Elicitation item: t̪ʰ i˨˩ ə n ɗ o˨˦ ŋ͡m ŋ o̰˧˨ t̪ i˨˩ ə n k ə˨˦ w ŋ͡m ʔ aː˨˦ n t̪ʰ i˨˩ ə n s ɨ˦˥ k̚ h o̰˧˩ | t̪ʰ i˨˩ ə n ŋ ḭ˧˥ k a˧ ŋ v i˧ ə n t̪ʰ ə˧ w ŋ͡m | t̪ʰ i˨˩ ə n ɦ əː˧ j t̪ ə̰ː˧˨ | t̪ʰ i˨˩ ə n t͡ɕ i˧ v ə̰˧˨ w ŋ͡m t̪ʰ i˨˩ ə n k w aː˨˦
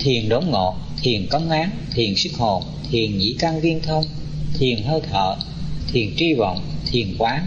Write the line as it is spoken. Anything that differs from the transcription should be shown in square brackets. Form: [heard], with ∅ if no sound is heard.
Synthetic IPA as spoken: t̪ʰ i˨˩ ə n ɗ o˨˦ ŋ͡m ŋ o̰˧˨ [t̪ʰ] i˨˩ ə n k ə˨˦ w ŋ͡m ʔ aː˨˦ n t̪ʰ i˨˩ ə n s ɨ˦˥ k̚ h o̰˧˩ | t̪ʰ i˨˩ ə n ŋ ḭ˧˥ k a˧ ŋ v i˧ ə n t̪ʰ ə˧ w ŋ͡m | t̪ʰ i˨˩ ə n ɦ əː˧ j [t̪ʰ] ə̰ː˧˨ | t̪ʰ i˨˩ ə n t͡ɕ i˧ v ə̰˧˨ w ŋ͡m t̪ʰ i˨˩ ə n k w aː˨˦

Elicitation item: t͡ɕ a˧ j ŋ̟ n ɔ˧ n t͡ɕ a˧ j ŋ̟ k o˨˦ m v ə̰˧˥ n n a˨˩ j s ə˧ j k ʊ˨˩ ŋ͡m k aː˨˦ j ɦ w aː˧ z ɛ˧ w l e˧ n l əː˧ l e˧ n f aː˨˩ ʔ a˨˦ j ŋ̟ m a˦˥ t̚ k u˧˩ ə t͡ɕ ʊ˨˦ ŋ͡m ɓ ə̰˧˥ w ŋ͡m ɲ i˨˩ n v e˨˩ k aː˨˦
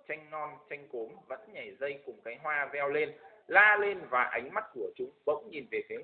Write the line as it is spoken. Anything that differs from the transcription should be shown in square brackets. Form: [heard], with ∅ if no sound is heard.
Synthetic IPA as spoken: t͡ɕ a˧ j ŋ̟ n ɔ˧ n t͡ɕ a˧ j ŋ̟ k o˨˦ m v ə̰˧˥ n [ɲ] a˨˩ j [z] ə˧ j k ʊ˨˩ ŋ͡m k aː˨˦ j ɦ w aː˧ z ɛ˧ w l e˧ n l [aː˧] l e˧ n [v] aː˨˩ ʔ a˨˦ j ŋ̟ m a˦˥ t̚ k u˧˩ ə t͡ɕ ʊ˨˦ ŋ͡m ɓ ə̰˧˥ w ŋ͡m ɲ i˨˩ n v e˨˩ k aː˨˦

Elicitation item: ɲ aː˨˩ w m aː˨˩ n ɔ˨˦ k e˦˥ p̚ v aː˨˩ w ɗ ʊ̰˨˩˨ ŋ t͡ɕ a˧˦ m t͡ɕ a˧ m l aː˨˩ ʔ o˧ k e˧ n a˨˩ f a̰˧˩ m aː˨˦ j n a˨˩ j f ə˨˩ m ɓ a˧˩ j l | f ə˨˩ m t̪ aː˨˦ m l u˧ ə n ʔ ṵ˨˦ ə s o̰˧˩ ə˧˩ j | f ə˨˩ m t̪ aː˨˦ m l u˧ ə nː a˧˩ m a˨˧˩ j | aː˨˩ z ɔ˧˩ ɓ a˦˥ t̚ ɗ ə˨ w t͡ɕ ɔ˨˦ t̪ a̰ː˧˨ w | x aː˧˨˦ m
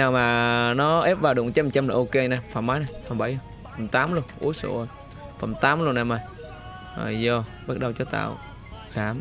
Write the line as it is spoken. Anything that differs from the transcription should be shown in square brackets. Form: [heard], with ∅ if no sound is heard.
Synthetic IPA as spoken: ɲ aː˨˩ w m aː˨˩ n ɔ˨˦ [ʔ] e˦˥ p̚ v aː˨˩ w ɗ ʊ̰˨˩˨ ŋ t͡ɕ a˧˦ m t͡ɕ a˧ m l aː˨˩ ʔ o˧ k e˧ n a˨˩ f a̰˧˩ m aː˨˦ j n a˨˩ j f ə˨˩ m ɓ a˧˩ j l | f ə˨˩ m t̪ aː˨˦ m l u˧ ə n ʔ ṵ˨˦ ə s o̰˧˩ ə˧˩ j | f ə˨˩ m t̪ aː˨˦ m l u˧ ə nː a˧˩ m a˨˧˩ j | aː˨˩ z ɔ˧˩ ɓ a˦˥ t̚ ɗ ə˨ w t͡ɕ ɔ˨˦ t̪ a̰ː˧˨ w | x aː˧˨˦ m

